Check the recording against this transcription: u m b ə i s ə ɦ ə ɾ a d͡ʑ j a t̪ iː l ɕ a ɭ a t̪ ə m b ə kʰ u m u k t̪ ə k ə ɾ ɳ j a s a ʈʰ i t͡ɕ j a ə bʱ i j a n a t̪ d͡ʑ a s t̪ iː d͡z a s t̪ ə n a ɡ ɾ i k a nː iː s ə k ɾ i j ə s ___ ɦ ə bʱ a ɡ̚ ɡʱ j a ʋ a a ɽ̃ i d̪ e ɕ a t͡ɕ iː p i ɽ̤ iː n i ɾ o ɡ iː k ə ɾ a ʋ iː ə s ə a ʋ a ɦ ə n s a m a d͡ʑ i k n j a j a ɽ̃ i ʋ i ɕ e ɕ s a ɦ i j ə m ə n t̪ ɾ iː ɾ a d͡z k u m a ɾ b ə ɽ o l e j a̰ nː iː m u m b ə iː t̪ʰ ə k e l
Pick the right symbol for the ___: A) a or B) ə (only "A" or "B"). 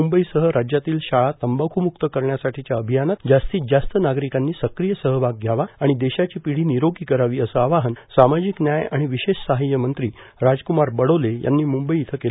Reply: B